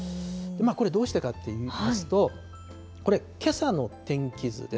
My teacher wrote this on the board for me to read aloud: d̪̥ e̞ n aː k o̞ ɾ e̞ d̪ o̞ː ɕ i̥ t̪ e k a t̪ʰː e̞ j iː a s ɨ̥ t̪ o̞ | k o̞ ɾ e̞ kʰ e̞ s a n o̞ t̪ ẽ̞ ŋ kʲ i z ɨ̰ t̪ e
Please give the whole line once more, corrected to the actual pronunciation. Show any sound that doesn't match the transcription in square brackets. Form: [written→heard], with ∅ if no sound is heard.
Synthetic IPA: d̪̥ e̞ [n→m] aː k o̞ ɾ e̞ d̪ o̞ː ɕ i̥ t̪ e k a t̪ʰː e̞ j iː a s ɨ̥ t̪ o̞ | k o̞ ɾ e̞ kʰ e̞ s a n o̞ t̪ ẽ̞ ŋ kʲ i z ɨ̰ [t̪→d̪] e